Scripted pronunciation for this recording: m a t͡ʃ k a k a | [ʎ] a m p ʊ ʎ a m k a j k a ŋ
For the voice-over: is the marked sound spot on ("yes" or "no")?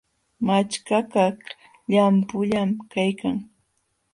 yes